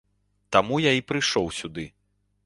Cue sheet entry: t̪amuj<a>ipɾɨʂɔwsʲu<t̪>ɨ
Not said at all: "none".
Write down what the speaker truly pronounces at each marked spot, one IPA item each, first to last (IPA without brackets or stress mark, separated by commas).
a, d̪